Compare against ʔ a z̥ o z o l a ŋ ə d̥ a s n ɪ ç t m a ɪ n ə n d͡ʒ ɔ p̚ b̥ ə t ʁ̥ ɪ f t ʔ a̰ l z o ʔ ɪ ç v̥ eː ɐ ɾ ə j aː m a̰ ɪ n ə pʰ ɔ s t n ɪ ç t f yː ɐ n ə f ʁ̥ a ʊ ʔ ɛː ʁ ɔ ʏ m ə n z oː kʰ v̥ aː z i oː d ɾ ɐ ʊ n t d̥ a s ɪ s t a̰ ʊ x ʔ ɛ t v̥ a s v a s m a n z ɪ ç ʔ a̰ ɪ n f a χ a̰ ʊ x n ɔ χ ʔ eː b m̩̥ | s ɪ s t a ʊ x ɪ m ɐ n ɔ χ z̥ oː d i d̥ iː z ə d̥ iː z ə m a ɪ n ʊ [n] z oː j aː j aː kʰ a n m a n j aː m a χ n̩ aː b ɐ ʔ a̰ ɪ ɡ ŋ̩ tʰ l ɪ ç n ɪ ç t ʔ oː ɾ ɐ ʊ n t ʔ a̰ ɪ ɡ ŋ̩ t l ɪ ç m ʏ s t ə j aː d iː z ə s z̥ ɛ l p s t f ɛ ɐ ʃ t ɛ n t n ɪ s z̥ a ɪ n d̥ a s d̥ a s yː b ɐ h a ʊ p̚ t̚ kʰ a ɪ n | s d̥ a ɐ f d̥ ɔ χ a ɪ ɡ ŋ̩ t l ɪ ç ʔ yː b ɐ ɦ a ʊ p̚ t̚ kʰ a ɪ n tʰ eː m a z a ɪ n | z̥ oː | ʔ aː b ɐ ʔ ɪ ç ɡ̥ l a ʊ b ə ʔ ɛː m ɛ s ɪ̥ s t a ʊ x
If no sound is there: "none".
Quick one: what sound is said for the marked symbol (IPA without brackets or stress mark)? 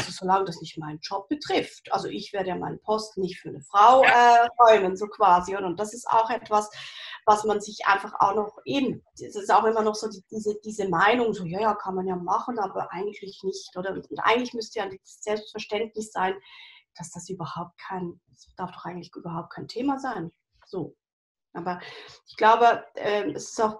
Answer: ŋ